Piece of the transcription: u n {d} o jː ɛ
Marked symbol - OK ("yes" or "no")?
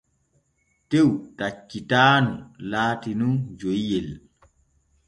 no